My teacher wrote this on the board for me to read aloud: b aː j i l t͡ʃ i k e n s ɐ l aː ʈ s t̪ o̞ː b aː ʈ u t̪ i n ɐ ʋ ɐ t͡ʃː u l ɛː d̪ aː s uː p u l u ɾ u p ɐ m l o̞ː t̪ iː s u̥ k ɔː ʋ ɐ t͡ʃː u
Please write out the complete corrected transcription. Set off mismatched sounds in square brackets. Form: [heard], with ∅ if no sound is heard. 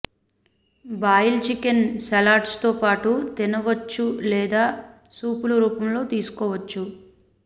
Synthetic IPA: b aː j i l t͡ʃ i k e n s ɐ l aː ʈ s t̪ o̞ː [p] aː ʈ u t̪ i n ɐ ʋ ɐ t͡ʃː u l ɛː d̪ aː s uː p u l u ɾ [uː] p ɐ m l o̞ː t̪ iː s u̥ k ɔː ʋ ɐ t͡ʃː u